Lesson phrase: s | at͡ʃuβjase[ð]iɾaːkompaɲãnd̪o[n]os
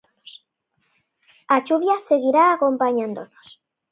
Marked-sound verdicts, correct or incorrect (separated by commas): incorrect, correct